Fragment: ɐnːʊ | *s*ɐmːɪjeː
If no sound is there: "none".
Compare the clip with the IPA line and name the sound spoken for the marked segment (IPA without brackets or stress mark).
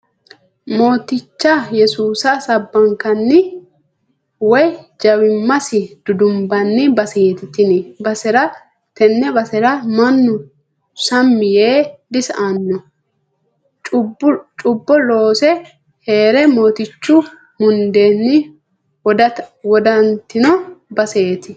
s